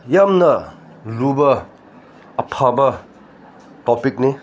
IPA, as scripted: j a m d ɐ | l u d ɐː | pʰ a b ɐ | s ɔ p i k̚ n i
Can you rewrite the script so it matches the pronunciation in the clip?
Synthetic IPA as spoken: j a m n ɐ | l u b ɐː | pʰ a b ɐ | t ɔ p i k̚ n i